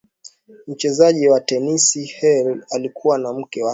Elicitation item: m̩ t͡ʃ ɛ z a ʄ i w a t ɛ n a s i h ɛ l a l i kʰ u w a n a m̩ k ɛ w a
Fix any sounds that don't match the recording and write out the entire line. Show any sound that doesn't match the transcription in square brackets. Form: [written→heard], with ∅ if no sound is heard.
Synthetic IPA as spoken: m̩ t͡ʃ ɛ z a ʄ i w a t ɛ n [a→i] s i h ɛ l a l i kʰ u w a n a m̩ k ɛ w a